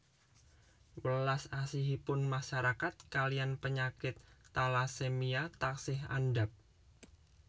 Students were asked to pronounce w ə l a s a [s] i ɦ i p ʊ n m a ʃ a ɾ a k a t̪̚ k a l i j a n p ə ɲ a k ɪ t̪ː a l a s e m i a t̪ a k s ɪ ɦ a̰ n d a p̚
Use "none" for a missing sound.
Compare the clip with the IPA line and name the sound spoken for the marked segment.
s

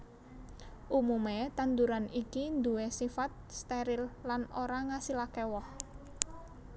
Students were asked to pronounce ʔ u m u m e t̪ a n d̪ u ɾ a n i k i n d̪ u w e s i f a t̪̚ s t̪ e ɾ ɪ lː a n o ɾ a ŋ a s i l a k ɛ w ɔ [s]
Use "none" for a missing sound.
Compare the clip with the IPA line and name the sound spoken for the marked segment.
h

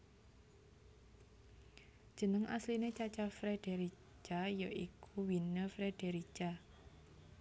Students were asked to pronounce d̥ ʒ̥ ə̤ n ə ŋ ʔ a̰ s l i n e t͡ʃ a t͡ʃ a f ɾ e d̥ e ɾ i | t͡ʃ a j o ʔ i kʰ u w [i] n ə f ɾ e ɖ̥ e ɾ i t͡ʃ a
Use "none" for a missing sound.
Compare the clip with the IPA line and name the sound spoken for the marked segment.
i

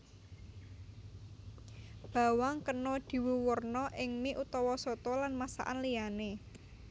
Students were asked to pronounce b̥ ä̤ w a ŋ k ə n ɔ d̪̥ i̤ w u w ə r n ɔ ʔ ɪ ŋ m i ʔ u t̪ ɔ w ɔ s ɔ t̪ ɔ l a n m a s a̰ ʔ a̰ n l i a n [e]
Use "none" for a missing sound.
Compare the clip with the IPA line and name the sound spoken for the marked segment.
e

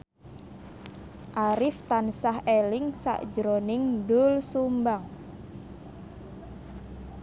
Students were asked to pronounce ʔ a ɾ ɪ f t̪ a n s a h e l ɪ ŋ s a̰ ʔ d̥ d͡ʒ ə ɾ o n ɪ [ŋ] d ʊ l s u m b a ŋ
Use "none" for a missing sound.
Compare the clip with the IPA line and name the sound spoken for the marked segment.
ŋ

